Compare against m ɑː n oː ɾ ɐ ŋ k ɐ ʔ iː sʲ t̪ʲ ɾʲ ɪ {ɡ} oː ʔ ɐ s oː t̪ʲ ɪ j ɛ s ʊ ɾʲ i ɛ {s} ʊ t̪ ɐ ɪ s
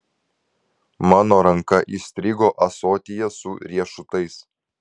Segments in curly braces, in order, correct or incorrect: correct, incorrect: ʃ

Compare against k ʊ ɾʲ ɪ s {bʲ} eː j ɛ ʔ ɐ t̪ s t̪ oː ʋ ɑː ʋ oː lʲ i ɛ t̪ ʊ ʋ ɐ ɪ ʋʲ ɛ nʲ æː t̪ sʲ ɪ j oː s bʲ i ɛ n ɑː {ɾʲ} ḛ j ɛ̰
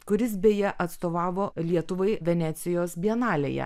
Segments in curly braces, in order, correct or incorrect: correct, incorrect: lʲ

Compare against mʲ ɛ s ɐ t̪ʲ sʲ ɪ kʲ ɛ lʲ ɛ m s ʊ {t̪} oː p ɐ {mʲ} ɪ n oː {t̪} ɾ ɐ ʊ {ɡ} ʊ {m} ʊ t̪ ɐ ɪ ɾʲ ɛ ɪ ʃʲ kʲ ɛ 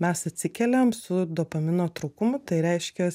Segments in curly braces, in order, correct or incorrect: incorrect: d̪, correct, correct, incorrect: k, correct

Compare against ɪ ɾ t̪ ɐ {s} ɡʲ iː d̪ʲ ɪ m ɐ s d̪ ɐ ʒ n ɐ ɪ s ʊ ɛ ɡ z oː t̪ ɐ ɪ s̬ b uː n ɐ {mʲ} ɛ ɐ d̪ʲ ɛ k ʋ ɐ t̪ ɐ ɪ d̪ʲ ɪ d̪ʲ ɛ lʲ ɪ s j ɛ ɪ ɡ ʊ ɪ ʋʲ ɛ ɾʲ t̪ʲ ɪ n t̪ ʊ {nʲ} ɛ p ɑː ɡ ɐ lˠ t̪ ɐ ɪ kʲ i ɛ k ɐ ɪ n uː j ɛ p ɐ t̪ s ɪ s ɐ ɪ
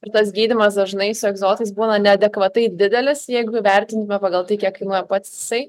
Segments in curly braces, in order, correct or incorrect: correct, incorrect: nʲ, incorrect: mʲ

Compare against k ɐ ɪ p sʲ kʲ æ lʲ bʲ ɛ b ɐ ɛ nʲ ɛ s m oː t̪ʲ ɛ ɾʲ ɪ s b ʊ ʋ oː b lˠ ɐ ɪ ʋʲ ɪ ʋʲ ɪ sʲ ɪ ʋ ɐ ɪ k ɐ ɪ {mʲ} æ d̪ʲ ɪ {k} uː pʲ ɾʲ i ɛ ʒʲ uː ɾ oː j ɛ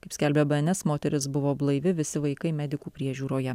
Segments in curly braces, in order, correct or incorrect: correct, correct

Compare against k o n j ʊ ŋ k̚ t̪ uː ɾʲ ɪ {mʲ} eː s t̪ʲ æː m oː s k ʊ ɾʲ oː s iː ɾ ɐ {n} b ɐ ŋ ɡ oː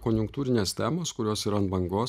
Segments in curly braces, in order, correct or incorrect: incorrect: nʲ, correct

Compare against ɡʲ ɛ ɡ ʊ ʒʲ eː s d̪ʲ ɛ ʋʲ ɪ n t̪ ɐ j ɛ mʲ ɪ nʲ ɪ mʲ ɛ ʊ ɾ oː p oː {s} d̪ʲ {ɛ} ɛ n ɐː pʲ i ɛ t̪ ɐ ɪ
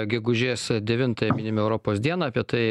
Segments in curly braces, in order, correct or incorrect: correct, incorrect: i

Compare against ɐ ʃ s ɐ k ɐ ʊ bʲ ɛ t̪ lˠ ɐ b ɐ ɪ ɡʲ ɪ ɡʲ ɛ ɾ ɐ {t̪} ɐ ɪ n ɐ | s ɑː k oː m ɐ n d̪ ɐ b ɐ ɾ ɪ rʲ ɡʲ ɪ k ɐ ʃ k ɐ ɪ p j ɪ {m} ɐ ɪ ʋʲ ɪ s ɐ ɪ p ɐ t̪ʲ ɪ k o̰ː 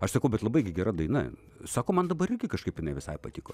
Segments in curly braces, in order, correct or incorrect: incorrect: d̪, incorrect: n

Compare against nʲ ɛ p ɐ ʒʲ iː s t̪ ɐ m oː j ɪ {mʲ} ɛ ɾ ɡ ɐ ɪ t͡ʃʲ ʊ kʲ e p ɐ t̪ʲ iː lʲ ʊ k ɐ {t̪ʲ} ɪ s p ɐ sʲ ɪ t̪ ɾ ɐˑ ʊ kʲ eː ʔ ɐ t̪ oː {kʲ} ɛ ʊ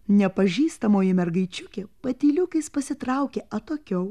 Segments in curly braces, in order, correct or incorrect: correct, incorrect: none, correct

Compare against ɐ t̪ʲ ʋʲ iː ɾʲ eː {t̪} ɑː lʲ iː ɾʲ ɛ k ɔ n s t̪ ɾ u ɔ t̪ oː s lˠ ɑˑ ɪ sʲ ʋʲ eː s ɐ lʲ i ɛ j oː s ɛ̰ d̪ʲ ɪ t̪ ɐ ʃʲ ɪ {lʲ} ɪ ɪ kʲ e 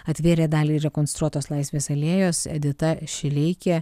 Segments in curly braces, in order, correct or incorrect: incorrect: d̪, correct

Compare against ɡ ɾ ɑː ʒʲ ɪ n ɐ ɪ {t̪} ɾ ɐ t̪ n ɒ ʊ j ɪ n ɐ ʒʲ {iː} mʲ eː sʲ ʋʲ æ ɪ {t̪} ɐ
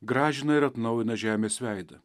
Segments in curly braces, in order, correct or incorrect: incorrect: none, incorrect: æː, incorrect: d̪

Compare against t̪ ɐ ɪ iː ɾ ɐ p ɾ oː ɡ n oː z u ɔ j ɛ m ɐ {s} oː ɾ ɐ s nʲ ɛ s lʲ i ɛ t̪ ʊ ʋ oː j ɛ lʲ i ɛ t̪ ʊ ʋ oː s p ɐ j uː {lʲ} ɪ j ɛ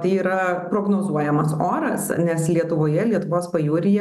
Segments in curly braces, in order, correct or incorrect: correct, incorrect: ɾʲ

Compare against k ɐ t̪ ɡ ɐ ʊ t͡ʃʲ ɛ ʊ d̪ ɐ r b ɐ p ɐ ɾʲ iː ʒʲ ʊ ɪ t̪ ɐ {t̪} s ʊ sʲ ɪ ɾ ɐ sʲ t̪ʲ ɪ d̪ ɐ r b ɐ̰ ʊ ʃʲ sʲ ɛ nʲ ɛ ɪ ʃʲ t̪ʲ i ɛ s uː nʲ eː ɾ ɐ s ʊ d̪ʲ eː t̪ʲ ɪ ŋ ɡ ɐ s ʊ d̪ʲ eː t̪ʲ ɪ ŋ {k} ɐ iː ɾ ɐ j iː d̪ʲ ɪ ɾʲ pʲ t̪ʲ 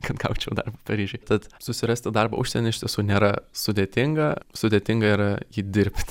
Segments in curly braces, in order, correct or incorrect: correct, incorrect: ɡ

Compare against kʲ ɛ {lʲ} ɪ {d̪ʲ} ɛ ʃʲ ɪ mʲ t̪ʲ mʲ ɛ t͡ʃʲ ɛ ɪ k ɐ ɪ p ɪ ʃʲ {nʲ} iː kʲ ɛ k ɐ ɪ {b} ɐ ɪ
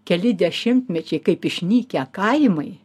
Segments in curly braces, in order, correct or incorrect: correct, correct, correct, incorrect: m

